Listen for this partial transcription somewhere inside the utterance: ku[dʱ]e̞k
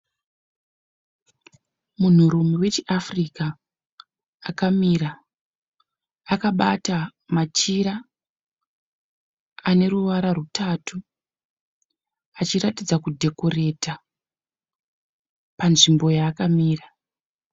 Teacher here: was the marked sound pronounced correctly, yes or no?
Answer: yes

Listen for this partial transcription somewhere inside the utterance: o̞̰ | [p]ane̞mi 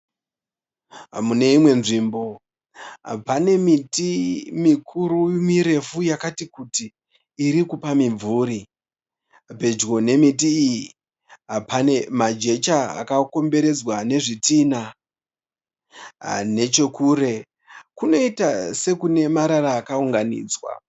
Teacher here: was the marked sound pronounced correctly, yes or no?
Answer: yes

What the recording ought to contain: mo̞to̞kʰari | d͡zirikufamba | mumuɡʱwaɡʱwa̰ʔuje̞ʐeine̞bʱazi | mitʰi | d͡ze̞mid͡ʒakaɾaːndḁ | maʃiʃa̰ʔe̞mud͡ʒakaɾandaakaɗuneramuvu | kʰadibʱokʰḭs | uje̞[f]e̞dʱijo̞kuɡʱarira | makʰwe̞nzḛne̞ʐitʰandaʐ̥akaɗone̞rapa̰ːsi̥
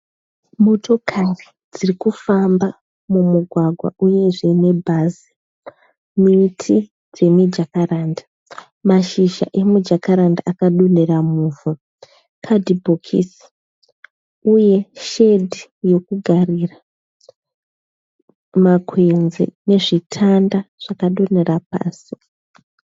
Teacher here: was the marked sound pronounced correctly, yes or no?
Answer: no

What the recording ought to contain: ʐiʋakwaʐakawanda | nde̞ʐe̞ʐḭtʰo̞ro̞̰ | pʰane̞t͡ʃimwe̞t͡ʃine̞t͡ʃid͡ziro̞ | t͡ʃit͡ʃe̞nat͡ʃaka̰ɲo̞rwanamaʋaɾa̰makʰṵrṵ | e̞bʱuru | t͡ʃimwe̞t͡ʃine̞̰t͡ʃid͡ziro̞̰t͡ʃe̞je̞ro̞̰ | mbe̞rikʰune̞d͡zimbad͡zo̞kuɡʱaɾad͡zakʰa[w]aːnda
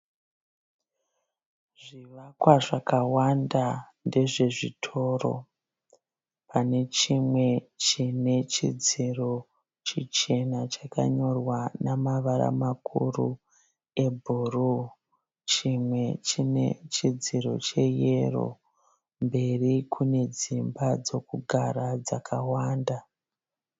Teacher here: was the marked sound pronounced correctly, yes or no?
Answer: yes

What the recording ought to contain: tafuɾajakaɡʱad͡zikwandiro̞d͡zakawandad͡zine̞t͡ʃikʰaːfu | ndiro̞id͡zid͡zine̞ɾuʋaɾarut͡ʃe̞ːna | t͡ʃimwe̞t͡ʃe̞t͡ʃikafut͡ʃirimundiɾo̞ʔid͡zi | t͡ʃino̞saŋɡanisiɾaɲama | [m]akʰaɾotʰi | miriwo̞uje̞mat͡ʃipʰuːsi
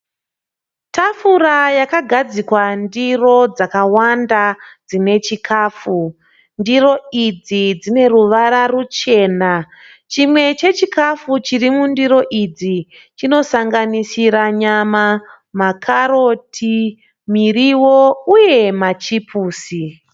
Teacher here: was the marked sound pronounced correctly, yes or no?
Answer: yes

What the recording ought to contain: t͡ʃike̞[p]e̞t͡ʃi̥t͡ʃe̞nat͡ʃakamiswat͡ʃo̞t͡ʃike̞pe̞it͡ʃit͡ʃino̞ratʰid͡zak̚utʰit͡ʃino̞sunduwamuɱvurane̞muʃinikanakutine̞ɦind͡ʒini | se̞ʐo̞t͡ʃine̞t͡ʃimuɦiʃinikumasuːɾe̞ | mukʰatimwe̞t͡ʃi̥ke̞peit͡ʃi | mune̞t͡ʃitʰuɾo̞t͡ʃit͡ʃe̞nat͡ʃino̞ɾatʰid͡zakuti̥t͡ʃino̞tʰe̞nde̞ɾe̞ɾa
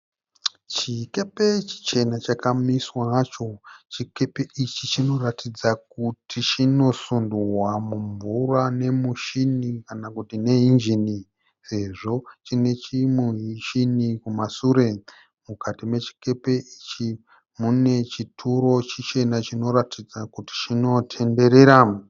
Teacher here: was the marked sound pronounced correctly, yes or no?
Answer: yes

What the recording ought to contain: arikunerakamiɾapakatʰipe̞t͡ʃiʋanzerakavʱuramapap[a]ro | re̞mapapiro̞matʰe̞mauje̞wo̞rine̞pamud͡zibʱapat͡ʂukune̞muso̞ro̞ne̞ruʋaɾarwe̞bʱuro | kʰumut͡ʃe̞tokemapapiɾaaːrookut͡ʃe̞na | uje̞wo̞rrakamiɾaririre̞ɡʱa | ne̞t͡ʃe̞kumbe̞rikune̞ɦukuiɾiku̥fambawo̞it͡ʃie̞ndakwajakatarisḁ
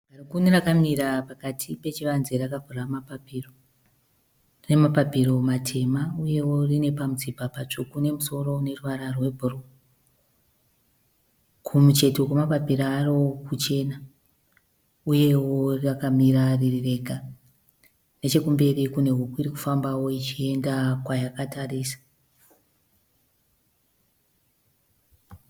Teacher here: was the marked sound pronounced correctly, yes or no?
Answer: no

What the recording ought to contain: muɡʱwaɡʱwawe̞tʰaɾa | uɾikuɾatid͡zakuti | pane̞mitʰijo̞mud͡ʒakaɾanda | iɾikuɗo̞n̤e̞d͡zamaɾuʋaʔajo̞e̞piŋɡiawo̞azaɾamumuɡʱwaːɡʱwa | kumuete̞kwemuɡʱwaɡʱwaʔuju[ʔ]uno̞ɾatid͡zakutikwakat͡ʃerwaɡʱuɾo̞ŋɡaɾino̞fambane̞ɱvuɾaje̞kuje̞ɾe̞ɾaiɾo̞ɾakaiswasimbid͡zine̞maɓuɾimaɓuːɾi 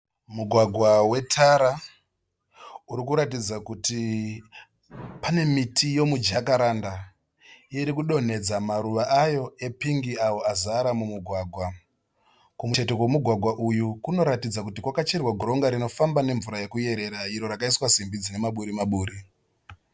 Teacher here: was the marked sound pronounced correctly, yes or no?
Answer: no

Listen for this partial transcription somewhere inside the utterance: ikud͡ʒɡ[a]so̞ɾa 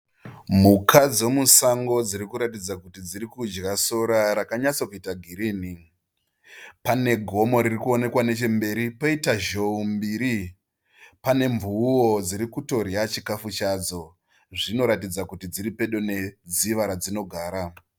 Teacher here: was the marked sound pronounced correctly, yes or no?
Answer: yes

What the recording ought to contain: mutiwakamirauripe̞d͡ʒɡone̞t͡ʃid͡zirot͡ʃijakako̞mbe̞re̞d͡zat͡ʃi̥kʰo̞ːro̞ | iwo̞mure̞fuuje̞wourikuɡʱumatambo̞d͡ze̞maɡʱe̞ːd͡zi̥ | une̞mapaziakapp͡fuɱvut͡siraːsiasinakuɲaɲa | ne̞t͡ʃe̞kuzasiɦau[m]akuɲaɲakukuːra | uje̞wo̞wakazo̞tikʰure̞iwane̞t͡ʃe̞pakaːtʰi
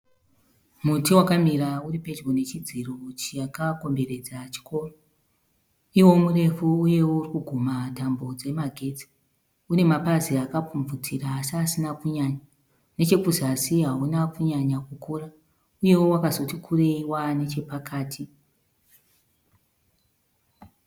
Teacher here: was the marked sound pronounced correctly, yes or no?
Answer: no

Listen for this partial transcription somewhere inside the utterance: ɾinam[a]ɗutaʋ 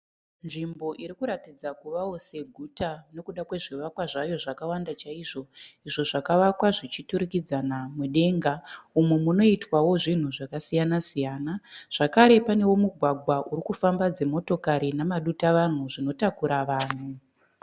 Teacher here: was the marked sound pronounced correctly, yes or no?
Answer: yes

